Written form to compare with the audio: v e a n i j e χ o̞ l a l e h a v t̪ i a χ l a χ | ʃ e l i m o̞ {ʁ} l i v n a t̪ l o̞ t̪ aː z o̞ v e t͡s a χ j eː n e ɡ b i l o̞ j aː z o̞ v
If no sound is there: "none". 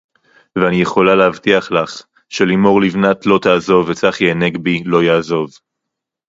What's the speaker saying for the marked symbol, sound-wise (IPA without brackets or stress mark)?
ʁ